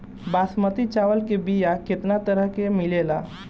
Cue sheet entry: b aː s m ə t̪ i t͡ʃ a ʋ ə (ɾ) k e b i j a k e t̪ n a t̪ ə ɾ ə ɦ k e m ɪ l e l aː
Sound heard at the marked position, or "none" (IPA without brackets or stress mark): l